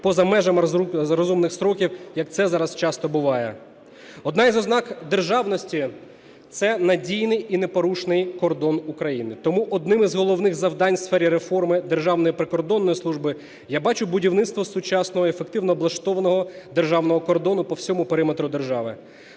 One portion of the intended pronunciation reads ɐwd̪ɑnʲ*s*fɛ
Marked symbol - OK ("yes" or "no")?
yes